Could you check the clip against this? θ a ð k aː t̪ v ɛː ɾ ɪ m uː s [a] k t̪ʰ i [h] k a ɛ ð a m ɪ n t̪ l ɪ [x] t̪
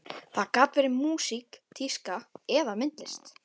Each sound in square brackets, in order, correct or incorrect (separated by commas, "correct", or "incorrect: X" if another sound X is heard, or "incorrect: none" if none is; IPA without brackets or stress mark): incorrect: i, incorrect: s, incorrect: s